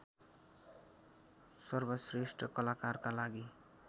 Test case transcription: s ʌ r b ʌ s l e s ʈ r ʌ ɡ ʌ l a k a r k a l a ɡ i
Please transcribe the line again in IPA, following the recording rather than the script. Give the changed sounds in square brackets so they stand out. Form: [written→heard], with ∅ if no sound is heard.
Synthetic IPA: s ʌ r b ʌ s [l→r] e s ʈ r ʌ [ɡ→k] ʌ l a k a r k a l a ɡ i